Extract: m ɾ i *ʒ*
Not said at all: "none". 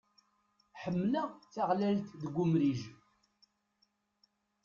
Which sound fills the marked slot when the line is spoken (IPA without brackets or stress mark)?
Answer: ʒ